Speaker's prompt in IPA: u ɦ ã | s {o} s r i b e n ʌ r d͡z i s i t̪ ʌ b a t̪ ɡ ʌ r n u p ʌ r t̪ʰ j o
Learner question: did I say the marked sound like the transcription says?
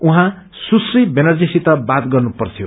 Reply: no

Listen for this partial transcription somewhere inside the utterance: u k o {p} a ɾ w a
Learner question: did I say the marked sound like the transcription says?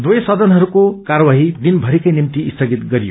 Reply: no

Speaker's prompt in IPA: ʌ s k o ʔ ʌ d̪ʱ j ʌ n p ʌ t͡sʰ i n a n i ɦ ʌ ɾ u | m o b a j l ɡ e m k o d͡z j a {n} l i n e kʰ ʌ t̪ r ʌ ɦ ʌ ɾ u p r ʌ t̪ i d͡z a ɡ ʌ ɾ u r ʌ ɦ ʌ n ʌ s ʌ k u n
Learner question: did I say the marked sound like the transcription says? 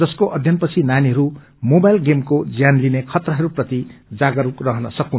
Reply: yes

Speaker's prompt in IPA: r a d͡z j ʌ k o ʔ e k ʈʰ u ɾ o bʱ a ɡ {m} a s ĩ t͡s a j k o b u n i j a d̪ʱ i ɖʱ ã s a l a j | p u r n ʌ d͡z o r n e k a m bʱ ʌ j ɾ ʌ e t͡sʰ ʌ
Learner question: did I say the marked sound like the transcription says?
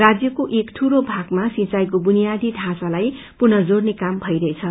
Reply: yes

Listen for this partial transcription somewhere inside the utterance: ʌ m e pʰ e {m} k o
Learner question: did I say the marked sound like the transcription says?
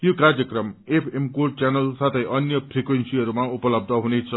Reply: yes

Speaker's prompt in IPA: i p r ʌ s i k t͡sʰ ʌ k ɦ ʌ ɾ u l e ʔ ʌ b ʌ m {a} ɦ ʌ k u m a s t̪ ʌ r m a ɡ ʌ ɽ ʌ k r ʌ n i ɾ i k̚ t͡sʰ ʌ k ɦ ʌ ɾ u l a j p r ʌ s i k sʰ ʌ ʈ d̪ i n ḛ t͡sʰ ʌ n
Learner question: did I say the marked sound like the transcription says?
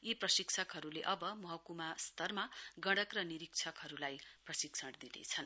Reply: no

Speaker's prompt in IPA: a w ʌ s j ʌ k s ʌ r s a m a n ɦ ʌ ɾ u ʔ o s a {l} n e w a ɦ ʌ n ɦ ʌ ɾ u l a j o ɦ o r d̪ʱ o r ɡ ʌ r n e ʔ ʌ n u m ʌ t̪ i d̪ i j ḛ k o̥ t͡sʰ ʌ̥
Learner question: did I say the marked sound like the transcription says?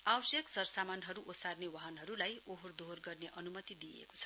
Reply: no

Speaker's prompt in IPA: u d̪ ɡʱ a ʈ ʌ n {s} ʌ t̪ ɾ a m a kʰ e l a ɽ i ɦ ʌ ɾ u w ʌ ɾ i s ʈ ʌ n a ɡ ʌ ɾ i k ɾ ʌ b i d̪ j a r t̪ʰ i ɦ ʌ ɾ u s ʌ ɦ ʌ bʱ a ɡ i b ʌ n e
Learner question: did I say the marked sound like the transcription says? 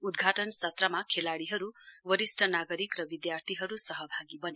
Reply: yes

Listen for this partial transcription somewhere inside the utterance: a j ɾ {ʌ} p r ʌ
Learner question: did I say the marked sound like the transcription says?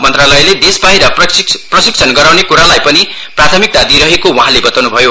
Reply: yes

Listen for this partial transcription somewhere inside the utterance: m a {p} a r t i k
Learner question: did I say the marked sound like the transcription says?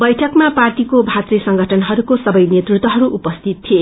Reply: yes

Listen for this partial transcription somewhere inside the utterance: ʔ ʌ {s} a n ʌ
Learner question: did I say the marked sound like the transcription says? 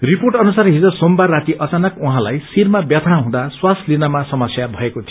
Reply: no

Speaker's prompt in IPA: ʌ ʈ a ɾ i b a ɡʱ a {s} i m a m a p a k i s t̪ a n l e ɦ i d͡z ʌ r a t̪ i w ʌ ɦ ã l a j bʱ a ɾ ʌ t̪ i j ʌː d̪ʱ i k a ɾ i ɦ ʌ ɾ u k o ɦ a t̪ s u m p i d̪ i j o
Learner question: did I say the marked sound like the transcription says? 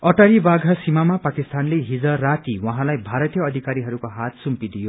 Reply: yes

